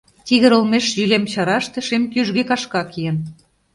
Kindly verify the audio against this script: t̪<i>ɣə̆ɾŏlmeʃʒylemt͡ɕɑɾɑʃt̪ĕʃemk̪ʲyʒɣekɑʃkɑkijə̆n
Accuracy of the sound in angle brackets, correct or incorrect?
correct